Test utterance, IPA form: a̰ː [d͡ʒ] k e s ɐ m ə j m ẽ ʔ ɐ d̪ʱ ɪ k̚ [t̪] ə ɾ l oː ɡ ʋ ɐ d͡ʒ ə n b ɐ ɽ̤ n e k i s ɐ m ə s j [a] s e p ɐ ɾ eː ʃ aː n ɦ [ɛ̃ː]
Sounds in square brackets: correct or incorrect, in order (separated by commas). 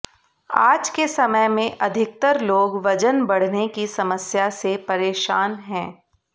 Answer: correct, correct, correct, correct